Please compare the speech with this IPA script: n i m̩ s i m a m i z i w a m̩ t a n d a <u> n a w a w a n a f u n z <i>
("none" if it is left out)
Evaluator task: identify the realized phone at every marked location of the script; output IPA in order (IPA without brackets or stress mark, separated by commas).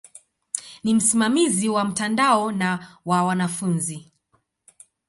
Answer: ɔ, i